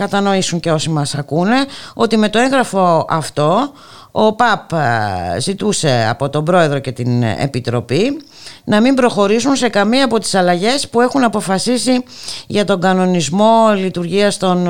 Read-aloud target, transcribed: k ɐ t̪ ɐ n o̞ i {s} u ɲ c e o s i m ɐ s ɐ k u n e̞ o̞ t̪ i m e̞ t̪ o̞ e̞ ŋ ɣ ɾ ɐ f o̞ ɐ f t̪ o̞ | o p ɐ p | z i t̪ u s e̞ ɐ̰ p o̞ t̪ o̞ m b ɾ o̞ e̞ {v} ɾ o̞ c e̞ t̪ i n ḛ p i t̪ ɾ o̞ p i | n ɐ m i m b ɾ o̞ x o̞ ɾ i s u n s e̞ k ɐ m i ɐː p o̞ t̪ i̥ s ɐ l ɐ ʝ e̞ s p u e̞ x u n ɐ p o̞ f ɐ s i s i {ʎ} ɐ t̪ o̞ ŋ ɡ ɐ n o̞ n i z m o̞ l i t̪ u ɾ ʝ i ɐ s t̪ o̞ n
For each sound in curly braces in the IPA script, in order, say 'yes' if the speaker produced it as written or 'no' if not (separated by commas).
yes, no, no